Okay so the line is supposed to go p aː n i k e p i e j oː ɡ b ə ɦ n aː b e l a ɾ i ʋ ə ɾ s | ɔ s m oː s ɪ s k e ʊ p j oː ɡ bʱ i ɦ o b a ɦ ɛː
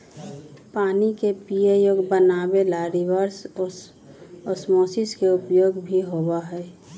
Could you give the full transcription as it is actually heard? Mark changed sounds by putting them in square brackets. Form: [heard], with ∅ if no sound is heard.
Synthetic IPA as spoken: p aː n i k e p i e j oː ɡ b ə [∅] n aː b e l a ɾ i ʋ ə ɾ s | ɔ s m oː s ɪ s k e ʊ p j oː ɡ bʱ i ɦ o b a ɦ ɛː